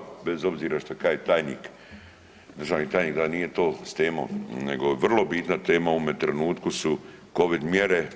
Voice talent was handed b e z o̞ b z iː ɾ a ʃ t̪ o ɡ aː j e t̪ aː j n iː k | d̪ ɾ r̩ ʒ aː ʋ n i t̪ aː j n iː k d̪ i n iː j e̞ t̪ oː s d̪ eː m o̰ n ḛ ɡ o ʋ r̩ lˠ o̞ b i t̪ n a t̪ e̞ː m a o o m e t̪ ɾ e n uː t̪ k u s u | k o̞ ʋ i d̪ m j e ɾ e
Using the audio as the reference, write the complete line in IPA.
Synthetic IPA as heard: b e z o̞ b z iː ɾ a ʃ t̪ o k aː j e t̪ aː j n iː k | d̪ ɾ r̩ ʒ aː ʋ n i t̪ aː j n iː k d̪ a n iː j e̞ t̪ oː s t̪ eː m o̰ n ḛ ɡ o ʋ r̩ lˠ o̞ b i t̪ n a t̪ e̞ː m a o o m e t̪ ɾ e n uː t̪ k u s u | k o̞ ʋ i d̪ m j e ɾ e